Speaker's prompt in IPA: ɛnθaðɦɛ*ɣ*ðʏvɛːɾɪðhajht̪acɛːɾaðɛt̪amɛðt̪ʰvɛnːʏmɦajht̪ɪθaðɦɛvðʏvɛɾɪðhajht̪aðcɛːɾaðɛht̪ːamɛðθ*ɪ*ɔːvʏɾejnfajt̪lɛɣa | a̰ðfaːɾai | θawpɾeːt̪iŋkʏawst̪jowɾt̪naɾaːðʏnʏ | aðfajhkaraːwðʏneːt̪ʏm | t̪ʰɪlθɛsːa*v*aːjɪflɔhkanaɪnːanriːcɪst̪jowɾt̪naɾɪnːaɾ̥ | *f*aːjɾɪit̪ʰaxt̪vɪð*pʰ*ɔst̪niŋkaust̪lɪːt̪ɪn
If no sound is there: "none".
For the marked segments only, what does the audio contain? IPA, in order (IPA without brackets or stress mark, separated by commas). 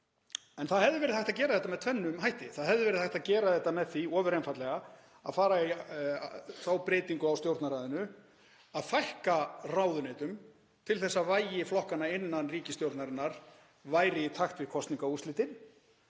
v, i, v, v, kʰ